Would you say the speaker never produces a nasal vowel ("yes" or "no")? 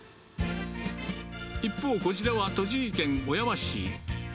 no